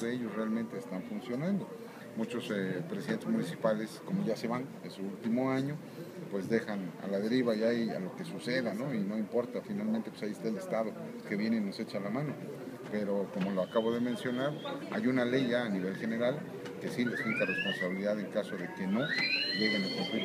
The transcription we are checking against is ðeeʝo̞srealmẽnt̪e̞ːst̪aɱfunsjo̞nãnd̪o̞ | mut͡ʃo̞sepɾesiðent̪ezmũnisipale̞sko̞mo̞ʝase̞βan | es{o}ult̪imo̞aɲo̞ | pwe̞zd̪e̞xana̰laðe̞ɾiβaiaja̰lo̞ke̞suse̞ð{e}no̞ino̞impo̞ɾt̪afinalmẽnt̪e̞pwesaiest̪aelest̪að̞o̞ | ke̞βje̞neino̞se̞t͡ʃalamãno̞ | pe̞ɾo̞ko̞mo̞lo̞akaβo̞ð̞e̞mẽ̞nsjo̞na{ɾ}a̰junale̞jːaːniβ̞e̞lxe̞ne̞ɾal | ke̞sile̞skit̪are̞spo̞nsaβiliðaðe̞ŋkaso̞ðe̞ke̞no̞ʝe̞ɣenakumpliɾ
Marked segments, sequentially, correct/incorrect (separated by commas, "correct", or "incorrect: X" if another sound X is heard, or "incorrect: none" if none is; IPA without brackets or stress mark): incorrect: u, incorrect: a, correct